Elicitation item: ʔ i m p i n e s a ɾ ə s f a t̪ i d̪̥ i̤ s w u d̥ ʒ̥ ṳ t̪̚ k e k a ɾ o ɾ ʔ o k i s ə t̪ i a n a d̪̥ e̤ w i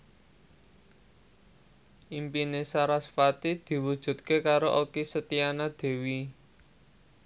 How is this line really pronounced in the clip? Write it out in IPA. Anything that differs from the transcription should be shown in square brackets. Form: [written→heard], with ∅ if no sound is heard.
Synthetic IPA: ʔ i m p i n e s a ɾ [ə→a] s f a t̪ i d̪̥ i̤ [s→∅] w u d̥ ʒ̥ ṳ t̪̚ k e k a ɾ o [ɾ→∅] ʔ o k i s ə t̪ i a n a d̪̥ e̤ w i